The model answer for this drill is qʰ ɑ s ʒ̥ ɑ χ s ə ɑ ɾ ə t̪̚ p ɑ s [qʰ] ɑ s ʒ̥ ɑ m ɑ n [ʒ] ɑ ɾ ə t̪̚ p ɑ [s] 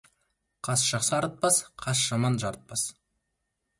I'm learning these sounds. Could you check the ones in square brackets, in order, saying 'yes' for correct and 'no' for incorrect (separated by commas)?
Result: yes, yes, yes